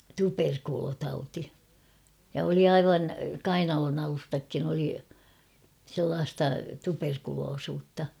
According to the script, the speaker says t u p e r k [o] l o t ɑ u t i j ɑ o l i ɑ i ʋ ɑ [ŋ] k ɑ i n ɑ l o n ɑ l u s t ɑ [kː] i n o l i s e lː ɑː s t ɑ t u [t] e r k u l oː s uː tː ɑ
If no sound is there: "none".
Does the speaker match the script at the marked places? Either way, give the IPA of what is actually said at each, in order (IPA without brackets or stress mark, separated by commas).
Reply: u, n, kː, p